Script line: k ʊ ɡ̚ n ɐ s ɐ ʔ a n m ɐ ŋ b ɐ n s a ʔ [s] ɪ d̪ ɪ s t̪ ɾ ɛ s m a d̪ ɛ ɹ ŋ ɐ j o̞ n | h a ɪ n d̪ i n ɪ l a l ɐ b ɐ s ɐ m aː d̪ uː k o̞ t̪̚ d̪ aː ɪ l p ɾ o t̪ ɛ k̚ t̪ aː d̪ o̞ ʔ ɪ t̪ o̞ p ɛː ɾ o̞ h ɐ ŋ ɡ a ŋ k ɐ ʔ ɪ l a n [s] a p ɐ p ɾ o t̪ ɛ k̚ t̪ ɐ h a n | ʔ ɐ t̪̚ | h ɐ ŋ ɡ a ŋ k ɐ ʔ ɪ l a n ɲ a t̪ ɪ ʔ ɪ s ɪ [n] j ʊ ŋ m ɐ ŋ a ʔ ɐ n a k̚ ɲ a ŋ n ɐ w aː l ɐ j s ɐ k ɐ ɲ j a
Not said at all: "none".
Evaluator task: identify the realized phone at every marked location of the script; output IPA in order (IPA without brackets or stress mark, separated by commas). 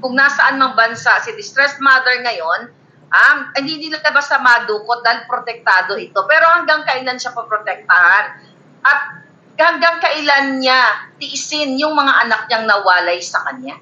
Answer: s, ʃ, n